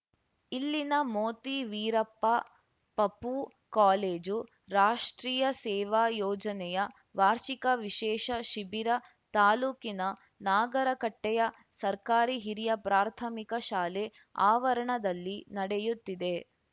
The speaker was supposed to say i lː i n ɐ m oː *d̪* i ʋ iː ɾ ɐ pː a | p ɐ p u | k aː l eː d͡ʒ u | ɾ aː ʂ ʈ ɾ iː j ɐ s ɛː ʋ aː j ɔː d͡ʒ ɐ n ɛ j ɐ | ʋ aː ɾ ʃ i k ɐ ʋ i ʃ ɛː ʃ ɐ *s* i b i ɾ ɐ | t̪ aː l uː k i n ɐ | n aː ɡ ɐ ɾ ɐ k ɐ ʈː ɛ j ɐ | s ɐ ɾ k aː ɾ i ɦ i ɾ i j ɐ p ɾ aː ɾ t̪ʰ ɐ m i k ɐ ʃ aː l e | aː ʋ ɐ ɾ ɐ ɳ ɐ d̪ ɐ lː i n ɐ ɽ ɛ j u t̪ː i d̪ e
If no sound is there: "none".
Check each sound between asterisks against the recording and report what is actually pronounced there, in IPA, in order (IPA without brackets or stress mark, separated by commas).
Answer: t̪, ʃ